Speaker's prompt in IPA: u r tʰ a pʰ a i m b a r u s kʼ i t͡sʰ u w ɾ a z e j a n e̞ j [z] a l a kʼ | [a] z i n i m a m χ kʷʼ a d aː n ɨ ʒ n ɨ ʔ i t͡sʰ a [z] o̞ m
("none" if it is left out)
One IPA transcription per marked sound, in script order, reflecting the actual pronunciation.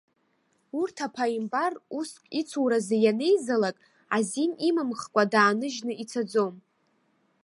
z, a, d͡z

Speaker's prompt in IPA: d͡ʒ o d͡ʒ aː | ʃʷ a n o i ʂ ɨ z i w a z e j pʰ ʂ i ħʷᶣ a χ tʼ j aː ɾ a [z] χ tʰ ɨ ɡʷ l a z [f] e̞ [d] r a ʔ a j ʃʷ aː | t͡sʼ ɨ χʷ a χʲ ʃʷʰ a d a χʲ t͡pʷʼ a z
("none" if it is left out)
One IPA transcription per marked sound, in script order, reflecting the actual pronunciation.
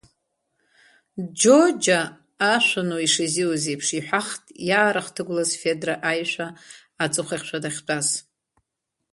none, f, d

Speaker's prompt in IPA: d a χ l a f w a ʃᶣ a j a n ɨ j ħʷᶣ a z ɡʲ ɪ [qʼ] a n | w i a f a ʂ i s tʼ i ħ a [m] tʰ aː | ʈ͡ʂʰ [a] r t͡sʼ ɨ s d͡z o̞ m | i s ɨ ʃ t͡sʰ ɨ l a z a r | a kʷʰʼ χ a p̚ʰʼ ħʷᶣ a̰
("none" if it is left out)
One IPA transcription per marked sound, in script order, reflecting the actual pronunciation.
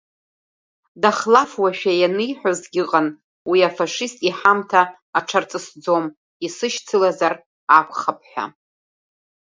qʼ, m, a

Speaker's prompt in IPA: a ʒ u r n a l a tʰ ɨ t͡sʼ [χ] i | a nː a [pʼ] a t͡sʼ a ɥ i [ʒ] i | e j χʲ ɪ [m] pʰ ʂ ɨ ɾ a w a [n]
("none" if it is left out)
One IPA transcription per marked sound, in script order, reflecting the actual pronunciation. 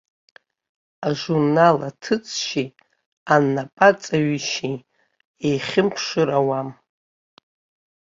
ʃ, pʼ, ʃ, m, m

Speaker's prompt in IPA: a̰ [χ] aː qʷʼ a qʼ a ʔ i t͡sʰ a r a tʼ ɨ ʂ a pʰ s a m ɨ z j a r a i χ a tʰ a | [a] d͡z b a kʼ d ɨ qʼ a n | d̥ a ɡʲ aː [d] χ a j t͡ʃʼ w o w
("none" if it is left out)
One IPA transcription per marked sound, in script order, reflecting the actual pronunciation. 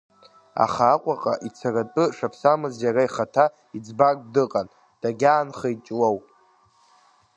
χ, i, n

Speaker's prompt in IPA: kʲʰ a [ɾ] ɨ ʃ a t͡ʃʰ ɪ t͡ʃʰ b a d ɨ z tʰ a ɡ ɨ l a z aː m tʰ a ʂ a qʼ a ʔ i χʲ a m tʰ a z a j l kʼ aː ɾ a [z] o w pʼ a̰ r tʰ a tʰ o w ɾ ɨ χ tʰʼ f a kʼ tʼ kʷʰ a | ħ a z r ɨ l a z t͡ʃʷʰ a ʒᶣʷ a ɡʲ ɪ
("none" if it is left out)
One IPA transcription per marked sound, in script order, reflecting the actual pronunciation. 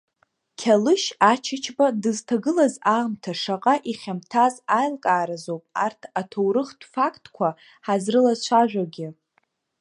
l, z

